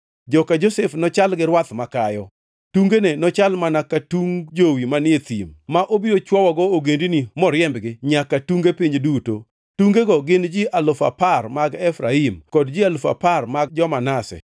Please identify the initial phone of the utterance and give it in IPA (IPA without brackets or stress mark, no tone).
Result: d͡ʒ